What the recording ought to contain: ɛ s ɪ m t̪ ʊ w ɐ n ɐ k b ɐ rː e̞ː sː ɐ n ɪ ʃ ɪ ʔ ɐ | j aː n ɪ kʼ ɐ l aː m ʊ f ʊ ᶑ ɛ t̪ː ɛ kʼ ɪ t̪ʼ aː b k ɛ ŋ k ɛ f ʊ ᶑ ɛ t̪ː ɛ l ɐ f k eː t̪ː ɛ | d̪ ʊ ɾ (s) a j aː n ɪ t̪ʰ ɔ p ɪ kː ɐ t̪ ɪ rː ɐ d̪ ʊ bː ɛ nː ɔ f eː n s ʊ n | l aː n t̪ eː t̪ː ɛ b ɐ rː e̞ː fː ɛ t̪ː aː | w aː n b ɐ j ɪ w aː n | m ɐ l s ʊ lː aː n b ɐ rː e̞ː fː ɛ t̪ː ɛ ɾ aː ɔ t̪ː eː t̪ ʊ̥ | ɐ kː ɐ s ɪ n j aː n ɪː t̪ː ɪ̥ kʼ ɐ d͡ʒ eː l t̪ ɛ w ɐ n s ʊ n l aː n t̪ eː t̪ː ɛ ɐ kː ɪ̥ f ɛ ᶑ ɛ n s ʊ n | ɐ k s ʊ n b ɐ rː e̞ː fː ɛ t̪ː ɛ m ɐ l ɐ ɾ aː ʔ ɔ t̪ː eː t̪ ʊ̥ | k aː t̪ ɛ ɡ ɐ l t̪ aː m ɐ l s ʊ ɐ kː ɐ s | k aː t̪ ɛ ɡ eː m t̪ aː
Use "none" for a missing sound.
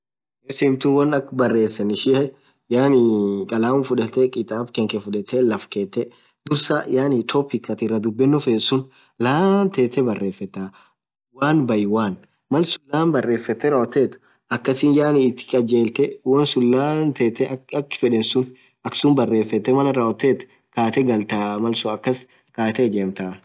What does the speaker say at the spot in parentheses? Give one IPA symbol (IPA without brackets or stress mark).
s